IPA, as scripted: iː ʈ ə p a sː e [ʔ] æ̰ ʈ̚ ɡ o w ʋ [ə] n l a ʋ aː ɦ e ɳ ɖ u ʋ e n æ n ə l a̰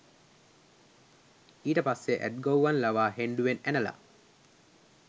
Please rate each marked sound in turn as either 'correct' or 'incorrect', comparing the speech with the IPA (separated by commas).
correct, incorrect